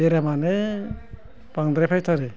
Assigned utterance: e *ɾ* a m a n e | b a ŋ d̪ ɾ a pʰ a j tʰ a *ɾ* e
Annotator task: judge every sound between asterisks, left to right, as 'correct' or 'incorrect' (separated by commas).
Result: correct, correct